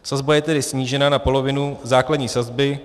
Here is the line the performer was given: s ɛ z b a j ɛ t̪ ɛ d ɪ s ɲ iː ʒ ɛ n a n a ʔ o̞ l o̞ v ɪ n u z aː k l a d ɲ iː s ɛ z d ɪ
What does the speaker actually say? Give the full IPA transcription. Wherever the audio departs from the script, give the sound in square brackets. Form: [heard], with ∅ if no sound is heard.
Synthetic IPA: s [a] z b a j ɛ t̪ ɛ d ɪ s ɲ iː ʒ ɛ n a n a [p] o̞ l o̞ v ɪ n u z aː k l a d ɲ iː s [a] z [b] ɪ